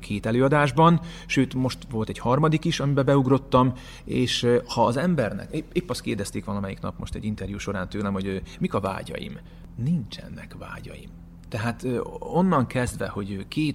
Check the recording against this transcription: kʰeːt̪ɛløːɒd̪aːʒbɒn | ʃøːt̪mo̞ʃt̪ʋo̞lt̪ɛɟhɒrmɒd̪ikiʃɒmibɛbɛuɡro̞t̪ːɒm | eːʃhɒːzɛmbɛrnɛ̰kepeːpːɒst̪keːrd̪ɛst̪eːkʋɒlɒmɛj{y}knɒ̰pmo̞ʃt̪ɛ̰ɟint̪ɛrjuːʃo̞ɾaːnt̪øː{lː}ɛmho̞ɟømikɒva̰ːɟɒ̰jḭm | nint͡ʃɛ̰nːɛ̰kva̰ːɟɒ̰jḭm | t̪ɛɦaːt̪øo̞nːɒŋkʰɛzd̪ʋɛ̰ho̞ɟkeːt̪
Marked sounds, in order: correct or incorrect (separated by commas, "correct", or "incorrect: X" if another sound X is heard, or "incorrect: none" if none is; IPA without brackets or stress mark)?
incorrect: i, incorrect: l